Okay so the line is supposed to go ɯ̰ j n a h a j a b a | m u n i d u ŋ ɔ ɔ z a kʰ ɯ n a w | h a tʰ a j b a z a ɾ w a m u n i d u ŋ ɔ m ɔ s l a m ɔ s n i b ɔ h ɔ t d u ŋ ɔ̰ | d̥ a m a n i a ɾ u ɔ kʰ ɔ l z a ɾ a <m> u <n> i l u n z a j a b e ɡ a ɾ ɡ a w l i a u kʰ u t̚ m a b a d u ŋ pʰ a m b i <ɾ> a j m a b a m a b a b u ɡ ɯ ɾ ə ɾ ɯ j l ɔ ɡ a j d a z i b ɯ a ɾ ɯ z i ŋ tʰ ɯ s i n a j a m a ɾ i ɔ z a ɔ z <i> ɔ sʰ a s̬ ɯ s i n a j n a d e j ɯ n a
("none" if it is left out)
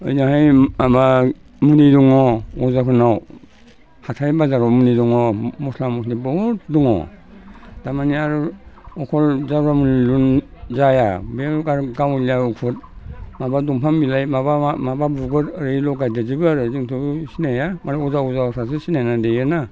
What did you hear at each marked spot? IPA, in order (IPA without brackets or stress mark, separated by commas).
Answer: m, n, l, a